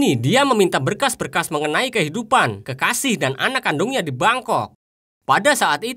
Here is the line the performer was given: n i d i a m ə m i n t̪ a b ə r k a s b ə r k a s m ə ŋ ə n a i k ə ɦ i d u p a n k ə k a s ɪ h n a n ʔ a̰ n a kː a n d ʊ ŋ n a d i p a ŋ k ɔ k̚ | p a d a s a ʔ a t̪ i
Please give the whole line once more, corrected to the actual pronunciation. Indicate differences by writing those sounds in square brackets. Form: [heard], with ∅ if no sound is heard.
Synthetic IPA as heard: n i d i a m ə m i n t̪ a b ə r k a s b ə r k a s m ə ŋ ə n a i k ə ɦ i d u p a n k ə k a s ɪ h [d] a n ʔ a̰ n a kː a n d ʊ ŋ [ɲ] a d i [b] a ŋ k ɔ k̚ | p a d a s a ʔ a t̪ i